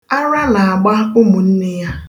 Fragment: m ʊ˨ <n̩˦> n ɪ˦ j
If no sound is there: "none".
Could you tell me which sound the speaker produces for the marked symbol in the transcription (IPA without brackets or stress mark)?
n̩˦